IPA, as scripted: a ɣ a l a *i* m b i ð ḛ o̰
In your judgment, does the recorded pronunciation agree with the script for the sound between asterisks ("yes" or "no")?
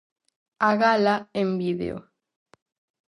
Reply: no